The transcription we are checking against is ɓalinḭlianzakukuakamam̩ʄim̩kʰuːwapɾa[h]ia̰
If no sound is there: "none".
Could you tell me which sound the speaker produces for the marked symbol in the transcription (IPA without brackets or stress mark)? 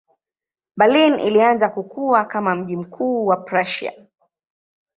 ʃ